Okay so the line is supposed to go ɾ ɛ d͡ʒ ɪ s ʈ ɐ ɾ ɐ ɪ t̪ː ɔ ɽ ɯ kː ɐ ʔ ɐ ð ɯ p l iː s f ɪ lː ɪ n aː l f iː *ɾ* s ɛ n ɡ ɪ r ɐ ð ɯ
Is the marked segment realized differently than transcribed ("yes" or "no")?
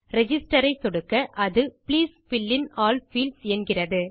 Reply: yes